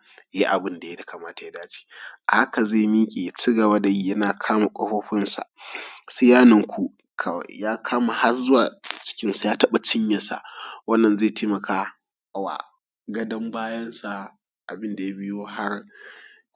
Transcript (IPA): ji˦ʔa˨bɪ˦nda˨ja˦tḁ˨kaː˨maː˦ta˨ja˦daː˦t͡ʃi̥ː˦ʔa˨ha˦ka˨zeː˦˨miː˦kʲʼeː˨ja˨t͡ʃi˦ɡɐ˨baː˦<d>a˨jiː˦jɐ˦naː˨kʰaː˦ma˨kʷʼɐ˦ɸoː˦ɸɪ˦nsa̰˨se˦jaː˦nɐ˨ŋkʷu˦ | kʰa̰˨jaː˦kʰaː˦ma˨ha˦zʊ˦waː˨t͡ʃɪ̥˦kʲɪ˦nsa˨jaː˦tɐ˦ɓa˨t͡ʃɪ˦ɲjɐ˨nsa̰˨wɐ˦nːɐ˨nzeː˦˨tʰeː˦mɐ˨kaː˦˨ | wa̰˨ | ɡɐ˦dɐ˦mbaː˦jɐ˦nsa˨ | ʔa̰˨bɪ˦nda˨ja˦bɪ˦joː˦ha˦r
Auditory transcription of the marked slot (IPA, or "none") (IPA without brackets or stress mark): d